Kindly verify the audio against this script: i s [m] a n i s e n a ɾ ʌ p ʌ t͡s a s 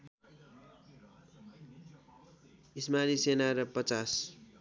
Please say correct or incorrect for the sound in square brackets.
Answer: correct